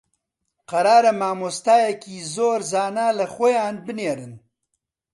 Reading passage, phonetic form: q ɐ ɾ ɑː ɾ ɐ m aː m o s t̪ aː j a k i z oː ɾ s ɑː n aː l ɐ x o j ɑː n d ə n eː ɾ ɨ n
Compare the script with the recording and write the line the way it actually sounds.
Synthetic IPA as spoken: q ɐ ɾ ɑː ɾ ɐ m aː m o s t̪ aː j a k i z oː ɾ z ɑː n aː l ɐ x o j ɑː n b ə n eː ɾ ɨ n

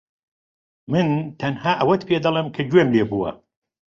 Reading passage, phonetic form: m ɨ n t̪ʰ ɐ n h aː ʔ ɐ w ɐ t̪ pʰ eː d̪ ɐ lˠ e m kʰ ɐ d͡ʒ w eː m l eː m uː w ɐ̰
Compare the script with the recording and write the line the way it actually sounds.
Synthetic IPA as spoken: m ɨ n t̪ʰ ɐ n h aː ʔ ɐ w ɐ t̪ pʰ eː d̪ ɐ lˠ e m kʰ ɐ d͡ʒ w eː m l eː b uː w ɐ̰

